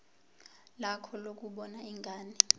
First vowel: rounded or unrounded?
unrounded